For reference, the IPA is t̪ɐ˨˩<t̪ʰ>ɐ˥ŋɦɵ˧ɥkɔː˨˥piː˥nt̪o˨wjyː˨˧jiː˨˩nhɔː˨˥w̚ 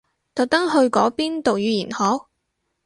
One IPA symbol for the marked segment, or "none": t̪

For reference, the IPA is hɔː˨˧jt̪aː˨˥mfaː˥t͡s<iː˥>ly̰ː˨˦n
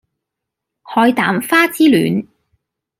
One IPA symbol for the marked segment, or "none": iː˥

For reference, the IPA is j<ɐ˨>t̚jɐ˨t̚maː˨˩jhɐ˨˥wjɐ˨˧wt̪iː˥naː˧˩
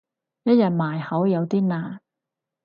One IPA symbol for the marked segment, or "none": ɐ˥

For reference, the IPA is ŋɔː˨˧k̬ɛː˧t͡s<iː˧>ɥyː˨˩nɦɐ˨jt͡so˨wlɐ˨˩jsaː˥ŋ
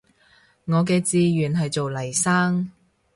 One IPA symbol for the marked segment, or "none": iː˧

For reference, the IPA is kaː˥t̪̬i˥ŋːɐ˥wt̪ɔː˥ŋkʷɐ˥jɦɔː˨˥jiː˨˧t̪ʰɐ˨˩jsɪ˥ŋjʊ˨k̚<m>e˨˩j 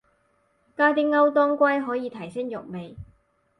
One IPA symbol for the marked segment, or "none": m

